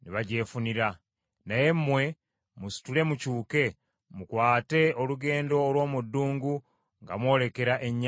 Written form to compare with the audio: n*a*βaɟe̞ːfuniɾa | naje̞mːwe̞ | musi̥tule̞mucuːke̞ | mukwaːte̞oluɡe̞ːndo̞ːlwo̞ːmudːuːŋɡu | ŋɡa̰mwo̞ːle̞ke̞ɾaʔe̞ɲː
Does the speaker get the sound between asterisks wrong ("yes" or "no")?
yes